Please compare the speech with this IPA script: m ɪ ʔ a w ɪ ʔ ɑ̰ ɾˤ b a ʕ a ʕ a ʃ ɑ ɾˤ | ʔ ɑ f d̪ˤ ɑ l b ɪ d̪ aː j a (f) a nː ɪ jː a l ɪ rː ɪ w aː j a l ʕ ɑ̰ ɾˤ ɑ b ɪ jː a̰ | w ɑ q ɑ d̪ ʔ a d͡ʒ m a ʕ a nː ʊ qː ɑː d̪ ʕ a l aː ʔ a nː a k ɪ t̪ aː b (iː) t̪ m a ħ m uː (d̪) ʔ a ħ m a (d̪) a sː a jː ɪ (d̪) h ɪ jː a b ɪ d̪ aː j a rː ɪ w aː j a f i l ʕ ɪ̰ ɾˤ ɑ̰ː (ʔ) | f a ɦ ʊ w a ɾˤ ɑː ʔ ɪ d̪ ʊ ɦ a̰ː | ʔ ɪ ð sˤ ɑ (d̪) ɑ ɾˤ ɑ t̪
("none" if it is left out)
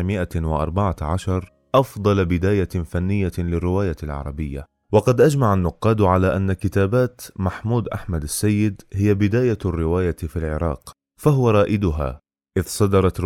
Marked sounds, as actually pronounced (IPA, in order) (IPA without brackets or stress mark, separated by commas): f, aː, d̪, d̪, d̪, q, d̪